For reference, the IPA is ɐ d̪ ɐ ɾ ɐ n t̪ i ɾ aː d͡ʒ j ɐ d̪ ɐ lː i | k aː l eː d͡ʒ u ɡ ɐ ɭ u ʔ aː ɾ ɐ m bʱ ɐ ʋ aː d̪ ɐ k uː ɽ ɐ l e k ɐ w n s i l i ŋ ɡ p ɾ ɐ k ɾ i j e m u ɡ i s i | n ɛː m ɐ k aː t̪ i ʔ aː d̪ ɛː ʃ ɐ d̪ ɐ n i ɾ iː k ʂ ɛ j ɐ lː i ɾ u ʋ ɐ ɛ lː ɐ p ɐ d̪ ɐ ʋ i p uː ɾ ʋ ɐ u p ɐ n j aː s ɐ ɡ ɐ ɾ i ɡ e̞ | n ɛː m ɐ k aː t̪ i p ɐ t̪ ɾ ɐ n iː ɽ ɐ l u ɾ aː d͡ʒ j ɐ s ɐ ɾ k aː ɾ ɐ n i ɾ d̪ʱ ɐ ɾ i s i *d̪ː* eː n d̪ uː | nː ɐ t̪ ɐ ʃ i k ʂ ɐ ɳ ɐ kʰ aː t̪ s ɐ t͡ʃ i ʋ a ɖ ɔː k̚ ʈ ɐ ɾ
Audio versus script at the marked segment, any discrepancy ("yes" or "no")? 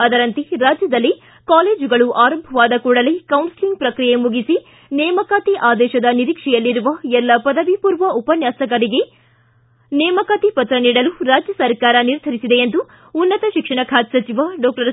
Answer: yes